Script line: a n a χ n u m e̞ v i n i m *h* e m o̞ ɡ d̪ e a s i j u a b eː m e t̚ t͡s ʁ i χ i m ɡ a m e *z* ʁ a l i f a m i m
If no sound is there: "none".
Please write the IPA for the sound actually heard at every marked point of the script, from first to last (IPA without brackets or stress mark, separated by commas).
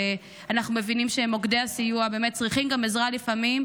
ʃ, z